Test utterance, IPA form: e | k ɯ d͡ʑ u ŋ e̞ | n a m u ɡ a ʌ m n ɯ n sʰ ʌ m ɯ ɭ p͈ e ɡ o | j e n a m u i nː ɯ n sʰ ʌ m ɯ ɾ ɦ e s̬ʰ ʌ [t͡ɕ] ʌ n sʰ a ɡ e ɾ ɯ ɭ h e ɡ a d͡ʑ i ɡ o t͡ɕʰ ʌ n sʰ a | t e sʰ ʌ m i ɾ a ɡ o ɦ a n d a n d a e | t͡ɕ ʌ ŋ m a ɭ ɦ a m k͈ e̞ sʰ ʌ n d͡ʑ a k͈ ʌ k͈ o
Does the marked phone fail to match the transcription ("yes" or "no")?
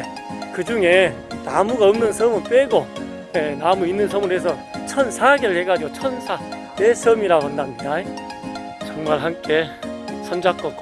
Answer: yes